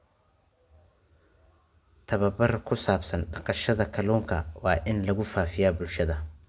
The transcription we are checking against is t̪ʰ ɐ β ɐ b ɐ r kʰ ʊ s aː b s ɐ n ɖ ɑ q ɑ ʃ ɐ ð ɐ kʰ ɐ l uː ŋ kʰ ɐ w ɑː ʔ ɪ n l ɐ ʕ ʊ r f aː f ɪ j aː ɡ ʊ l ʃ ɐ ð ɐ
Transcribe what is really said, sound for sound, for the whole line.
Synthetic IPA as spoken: t̪ʰ ɐ β ɐ b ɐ r kʰ ʊ s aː b s ɐ n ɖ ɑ q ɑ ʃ ɐ ð ɐ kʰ ɐ l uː ŋ kʰ ɐ w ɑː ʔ ɪ n l ɐ ɣ ʊ f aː f ɪ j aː b ʊ l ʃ ɐ ð ɐ